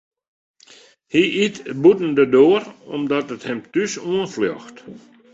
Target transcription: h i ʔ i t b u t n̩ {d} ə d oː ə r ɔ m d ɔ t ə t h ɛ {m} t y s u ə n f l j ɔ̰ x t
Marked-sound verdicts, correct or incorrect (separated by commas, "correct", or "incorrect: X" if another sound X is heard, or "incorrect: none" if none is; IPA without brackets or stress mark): correct, correct